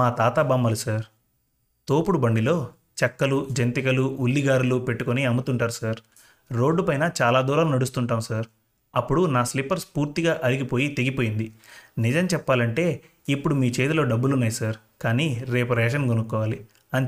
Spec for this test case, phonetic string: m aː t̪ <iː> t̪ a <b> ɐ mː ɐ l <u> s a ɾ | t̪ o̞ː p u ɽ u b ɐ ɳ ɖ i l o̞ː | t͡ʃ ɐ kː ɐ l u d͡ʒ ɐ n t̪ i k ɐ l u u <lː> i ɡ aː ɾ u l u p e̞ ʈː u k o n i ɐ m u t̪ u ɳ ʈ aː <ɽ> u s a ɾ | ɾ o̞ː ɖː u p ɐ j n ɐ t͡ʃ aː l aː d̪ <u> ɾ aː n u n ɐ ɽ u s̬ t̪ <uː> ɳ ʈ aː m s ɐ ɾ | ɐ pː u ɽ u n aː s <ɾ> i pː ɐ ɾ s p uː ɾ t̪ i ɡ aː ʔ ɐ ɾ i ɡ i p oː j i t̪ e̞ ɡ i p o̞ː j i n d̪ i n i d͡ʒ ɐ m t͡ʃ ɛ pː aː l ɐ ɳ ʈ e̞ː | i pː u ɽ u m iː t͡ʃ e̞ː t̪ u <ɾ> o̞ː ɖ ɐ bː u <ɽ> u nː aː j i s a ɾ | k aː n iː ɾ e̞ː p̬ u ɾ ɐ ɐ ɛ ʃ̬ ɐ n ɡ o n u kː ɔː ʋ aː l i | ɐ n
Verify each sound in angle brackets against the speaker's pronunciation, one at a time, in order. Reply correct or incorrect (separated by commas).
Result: incorrect, correct, correct, correct, incorrect, incorrect, incorrect, incorrect, incorrect, incorrect